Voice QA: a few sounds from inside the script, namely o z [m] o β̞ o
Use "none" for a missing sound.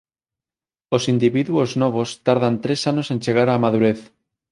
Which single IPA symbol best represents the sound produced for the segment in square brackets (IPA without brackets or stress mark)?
n